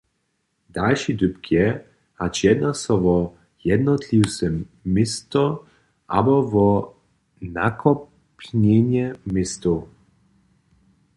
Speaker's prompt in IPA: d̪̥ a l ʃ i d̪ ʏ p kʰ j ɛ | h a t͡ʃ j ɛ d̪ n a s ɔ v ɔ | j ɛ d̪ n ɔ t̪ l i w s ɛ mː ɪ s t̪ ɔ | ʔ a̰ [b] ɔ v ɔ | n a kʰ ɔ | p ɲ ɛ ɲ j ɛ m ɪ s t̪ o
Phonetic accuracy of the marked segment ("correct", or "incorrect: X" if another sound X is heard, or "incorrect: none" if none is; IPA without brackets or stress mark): correct